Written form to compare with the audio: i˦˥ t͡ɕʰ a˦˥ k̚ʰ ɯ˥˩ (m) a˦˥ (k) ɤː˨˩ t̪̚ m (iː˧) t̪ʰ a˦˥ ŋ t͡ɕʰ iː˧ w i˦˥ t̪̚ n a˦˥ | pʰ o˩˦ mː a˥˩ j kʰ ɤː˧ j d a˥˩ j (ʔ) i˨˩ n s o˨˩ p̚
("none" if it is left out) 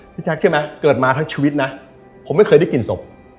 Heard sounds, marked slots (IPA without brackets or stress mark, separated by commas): m, k, aː˧, k